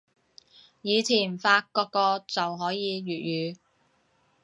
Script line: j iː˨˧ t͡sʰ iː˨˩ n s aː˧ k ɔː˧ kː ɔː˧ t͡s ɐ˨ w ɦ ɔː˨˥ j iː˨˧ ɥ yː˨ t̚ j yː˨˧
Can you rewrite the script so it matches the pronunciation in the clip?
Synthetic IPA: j iː˨˧ t͡sʰ iː˨˩ n f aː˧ k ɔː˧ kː ɔː˧ t͡s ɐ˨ w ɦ ɔː˨˥ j iː˨˧ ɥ yː˨ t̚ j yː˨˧